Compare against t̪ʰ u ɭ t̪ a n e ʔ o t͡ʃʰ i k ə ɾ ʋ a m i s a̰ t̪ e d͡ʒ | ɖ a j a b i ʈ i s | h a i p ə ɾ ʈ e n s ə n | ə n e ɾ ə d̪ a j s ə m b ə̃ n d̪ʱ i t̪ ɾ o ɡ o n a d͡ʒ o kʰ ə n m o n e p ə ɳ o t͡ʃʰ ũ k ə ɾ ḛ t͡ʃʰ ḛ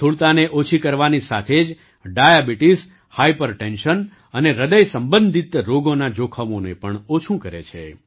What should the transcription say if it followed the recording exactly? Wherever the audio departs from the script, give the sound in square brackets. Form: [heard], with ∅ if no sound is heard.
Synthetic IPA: t̪ʰ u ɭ t̪ a n e ʔ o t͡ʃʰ i k ə ɾ ʋ a [n] i s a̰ [t̪ʰ] e d͡ʒ | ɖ a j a b i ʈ i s | h a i p ə ɾ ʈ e n [ʃ] ə n | ə n e ɾ ə d̪ [ə] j s ə m b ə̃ n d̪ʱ i t̪ ɾ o ɡ o n a d͡ʒ o kʰ ə [∅] m o n e p ə ɳ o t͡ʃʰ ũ k ə ɾ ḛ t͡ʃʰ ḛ